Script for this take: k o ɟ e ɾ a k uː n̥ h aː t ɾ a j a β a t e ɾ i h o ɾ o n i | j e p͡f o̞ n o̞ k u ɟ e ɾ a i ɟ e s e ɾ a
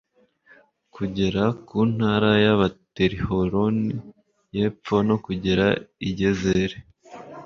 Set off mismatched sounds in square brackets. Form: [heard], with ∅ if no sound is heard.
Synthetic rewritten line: k [u] ɟ e ɾ a k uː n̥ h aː [∅] ɾ a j a β a t e ɾ i h o ɾ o n i | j e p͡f o̞ n o̞ k u ɟ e ɾ a i ɟ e [z] e ɾ [e]